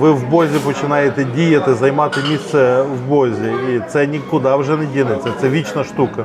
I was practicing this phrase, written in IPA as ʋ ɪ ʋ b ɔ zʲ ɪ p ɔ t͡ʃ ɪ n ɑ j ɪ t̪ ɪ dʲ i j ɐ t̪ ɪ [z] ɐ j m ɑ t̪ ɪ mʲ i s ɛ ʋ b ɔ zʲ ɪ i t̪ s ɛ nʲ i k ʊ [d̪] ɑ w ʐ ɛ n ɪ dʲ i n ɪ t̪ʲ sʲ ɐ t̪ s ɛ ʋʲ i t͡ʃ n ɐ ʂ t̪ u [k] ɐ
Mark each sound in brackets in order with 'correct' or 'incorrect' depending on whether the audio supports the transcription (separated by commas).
correct, correct, correct